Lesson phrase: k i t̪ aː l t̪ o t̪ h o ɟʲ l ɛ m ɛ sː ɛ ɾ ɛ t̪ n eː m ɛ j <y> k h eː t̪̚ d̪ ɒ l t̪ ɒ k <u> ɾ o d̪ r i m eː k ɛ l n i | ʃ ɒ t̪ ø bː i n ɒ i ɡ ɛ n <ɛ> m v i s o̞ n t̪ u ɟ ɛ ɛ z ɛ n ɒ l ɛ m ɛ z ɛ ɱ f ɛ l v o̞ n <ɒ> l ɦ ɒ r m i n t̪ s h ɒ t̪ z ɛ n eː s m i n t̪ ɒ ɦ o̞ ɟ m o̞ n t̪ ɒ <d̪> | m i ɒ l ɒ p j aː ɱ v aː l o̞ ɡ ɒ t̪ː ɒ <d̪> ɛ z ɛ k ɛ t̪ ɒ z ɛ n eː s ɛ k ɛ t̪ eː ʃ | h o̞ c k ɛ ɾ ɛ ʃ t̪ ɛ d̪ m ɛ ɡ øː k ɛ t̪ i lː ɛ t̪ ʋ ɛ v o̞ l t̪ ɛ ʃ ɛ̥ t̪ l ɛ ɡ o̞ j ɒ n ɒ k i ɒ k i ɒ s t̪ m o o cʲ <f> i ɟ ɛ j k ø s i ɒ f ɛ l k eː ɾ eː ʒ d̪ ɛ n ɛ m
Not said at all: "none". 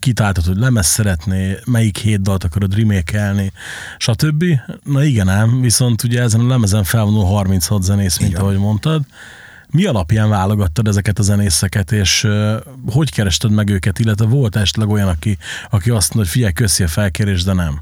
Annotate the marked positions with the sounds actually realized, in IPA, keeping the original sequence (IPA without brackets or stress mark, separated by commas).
i, ɒ, ɛ, u, d̪, d̪, f